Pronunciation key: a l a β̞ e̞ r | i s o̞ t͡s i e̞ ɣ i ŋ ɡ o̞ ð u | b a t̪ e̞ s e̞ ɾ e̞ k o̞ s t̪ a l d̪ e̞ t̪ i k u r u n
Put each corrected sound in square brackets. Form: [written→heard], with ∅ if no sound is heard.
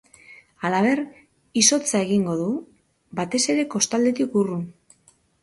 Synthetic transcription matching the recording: a l a β̞ e̞ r | i s o̞ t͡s [i→a] e̞ ɣ i ŋ ɡ o̞ ð u | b a t̪ e̞ s e̞ ɾ e̞ k o̞ s t̪ a l d̪ e̞ t̪ i k u r u n